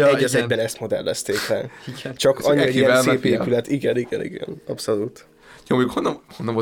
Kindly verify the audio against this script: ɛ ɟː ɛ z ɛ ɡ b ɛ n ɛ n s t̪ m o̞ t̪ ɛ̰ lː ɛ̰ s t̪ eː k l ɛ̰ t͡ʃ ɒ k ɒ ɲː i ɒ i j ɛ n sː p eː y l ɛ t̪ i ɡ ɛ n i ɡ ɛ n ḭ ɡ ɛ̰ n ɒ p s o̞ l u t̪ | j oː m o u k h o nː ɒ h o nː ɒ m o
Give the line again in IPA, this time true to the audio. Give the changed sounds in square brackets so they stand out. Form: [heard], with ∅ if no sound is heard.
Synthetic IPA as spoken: ɛ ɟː ɛ z ɛ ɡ b ɛ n ɛ [∅] s t̪ m o̞ [d̪] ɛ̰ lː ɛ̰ s t̪ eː k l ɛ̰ t͡ʃ ɒ k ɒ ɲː i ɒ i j ɛ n sː p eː y l ɛ t̪ i ɡ ɛ n i ɡ ɛ n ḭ ɡ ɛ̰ n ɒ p s o̞ l u t̪ | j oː m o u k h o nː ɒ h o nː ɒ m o